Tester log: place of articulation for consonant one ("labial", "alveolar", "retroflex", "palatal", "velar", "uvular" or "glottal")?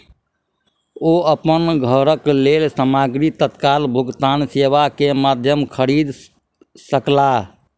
labial